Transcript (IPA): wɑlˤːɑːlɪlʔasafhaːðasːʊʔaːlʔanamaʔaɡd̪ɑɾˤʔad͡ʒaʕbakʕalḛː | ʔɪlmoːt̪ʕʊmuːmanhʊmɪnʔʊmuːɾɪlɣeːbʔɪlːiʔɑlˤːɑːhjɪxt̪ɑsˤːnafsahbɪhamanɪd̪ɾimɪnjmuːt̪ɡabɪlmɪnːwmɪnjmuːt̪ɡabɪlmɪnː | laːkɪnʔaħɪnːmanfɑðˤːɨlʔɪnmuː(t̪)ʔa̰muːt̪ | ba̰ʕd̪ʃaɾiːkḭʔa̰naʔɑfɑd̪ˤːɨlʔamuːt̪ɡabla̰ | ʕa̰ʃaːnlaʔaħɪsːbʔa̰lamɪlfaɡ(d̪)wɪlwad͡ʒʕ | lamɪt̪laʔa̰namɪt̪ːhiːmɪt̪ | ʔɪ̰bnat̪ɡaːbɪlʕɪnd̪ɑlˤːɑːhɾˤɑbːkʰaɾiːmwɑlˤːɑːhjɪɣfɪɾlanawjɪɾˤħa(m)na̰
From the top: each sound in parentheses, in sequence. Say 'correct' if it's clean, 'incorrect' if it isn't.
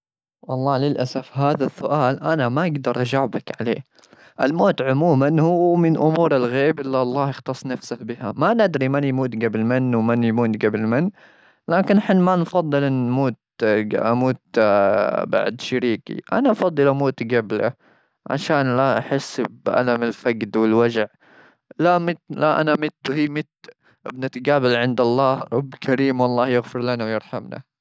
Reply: correct, correct, correct

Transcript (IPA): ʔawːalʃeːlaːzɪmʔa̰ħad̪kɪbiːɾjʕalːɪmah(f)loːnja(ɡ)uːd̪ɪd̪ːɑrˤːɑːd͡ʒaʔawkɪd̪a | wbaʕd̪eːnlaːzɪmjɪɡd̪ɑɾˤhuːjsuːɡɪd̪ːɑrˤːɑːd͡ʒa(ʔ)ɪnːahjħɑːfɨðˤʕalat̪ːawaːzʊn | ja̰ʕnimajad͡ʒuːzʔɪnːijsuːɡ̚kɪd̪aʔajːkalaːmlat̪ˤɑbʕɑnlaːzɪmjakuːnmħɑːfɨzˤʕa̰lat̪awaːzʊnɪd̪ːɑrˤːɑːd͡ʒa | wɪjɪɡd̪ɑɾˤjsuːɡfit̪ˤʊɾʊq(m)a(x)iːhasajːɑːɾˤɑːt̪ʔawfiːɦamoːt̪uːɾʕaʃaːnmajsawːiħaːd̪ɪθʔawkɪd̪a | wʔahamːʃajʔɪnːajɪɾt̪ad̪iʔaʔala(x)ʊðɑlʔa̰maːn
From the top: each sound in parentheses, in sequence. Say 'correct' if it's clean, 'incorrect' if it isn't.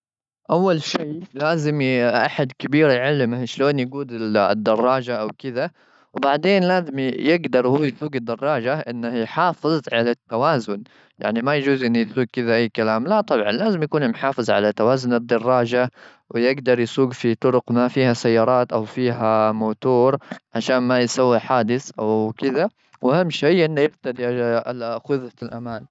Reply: incorrect, correct, correct, correct, incorrect, correct

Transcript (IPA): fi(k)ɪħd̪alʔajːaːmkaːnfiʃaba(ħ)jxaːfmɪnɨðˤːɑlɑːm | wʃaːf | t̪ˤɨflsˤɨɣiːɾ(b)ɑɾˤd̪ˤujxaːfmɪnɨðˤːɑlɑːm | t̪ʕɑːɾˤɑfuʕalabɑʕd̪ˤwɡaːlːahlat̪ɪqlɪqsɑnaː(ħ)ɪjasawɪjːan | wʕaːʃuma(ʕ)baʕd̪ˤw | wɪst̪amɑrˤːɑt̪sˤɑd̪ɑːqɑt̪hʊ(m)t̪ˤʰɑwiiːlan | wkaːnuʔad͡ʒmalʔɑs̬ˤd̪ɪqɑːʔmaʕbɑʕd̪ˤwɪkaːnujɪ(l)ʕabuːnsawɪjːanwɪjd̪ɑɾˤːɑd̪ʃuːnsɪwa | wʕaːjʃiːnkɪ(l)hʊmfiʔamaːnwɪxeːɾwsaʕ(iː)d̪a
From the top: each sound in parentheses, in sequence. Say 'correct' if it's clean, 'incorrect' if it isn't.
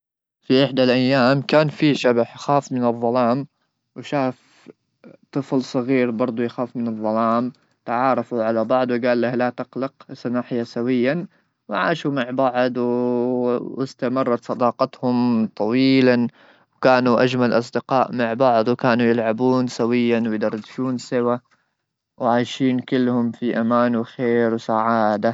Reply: incorrect, correct, correct, correct, correct, correct, correct, incorrect, incorrect

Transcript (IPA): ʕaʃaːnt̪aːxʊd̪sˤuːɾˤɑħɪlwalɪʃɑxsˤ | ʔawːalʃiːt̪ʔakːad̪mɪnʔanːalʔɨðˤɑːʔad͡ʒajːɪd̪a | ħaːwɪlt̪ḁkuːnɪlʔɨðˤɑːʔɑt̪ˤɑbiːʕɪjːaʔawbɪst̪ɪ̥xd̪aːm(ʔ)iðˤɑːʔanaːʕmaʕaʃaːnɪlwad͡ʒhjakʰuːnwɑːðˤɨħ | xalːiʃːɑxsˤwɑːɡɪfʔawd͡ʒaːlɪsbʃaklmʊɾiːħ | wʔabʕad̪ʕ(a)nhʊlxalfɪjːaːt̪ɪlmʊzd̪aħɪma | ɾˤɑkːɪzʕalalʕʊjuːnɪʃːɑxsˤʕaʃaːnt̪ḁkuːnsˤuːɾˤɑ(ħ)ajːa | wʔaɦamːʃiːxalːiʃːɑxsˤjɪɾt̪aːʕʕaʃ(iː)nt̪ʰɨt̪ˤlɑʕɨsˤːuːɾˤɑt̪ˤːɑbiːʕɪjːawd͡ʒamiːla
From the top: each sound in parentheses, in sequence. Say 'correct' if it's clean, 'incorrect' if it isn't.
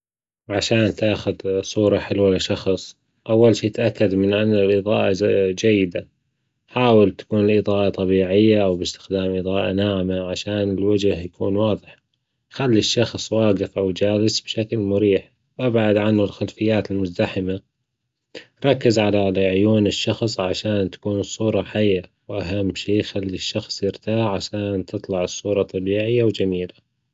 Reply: correct, correct, correct, incorrect

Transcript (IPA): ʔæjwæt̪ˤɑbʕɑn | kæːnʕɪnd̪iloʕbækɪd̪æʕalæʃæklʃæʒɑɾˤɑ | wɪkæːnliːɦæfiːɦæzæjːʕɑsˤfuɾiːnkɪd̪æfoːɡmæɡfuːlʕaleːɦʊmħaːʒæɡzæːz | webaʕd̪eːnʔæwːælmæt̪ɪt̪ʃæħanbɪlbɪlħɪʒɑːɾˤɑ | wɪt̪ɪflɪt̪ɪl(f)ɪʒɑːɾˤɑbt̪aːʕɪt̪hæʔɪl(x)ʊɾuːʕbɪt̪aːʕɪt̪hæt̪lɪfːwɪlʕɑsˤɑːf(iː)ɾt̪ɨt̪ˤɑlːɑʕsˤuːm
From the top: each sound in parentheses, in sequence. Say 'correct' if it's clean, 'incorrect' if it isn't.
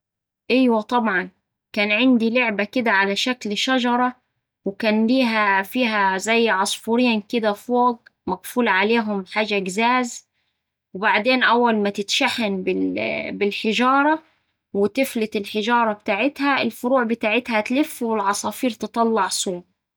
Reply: incorrect, incorrect, correct

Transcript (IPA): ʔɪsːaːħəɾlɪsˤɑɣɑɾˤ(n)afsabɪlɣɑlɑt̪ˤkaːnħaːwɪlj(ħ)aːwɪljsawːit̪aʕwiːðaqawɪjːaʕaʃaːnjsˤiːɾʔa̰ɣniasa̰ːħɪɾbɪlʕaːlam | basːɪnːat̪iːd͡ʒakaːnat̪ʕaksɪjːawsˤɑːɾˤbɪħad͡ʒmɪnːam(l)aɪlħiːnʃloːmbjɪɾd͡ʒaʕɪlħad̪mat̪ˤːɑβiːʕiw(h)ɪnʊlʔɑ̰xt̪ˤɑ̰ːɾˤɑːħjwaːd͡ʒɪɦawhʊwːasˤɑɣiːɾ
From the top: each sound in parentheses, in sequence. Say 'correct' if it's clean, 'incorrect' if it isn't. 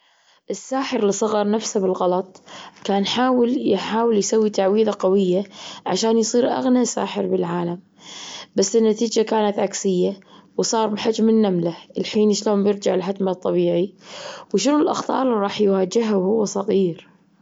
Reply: correct, correct, correct, incorrect

